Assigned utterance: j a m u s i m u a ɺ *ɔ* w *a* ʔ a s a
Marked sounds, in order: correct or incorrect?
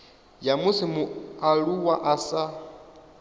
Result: incorrect: u, correct

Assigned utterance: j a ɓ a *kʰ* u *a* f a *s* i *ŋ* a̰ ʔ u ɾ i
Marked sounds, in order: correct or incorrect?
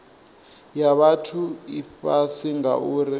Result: incorrect: tʰ, incorrect: i, correct, correct

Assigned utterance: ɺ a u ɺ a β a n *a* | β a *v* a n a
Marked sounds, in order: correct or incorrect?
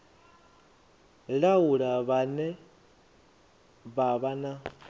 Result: incorrect: ɛ, incorrect: β

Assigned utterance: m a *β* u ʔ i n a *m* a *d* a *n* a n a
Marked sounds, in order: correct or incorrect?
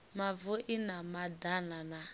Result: incorrect: v, correct, correct, correct

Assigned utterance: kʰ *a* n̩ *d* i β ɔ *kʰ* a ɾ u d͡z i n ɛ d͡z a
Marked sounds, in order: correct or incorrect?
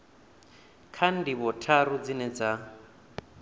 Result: correct, correct, incorrect: tʰ

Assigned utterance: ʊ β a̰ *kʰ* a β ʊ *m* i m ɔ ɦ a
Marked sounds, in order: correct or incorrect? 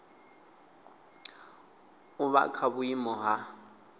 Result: correct, incorrect: none

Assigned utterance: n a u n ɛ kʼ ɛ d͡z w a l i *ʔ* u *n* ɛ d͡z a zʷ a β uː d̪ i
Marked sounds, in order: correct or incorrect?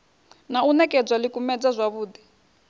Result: incorrect: k, incorrect: m

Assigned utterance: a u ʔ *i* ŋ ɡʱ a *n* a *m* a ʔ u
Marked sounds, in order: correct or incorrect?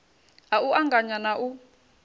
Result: incorrect: a, incorrect: ɲ, incorrect: n

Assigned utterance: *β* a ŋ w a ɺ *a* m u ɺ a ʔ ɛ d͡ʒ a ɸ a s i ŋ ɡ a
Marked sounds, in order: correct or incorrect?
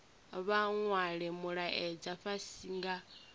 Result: correct, incorrect: ɛ

